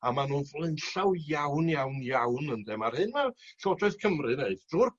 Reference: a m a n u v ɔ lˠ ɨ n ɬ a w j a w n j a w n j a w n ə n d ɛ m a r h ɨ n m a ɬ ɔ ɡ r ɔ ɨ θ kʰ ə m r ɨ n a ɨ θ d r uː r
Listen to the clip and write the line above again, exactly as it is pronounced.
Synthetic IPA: a m a n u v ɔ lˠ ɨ n ɬ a w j a w n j a w n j a w n ə n d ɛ m a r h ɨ n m a ɬ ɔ d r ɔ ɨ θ kʰ ə m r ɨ n e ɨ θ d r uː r

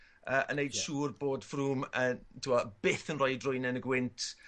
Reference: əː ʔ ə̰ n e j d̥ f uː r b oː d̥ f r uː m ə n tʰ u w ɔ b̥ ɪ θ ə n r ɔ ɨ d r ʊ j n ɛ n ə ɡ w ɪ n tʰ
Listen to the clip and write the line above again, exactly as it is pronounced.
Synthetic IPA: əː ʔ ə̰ n e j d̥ ʃ uː r b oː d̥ f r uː m ə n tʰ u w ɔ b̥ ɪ θ ə n r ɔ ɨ d r ʊ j n ɛ n ə ɡ w ɪ n tʰ

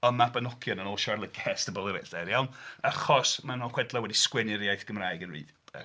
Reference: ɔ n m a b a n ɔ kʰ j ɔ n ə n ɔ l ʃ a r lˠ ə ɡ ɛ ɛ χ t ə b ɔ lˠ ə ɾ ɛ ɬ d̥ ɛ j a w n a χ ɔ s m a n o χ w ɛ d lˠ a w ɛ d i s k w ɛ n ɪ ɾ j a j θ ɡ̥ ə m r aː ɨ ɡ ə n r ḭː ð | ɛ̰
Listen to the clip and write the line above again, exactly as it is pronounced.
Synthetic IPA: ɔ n m a b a n ɔ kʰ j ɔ n ə n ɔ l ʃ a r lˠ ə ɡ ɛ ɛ s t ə b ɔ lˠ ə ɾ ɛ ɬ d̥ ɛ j a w n a χ ɔ s m a n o χ w ɛ d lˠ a w ɛ d i s k w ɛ n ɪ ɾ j a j θ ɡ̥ ə m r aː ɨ ɡ ə n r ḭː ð | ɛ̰

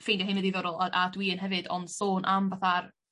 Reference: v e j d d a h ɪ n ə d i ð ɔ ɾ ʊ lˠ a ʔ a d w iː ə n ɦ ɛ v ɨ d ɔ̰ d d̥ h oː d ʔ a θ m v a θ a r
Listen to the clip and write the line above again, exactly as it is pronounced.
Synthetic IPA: f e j n d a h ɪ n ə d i ð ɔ ɾ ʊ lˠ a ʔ a d w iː ə n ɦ ɛ v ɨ d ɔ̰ n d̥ s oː n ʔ a m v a θ a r

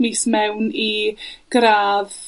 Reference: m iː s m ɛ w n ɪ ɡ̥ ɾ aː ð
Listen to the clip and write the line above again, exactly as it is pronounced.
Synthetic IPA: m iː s m ɛ w n i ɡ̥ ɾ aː ð

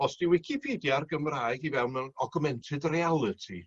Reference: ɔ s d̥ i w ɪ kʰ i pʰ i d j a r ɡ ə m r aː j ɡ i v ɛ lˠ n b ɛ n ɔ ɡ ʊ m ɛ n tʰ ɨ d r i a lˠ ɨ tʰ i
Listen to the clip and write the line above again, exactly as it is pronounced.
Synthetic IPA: ɔ s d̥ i w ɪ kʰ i pʰ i d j a r ɡ ə m r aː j ɡ i v ɛ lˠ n m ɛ n ɔ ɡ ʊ m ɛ n tʰ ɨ d r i a lˠ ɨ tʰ i

